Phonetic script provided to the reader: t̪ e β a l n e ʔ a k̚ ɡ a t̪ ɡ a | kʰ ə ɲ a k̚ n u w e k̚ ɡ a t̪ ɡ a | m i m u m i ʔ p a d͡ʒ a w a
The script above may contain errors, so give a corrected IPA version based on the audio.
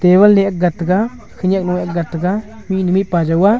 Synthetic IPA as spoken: t̪ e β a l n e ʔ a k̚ ɡ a t̪ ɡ a | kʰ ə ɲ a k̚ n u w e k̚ ɡ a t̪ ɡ a | m i n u m i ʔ p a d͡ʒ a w a